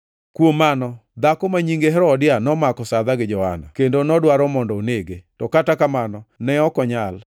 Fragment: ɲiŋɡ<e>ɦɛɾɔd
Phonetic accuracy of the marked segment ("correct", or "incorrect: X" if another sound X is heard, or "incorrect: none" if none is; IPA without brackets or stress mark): correct